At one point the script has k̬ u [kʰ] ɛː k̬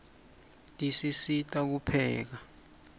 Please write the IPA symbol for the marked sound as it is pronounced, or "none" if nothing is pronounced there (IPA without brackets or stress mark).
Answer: pʰ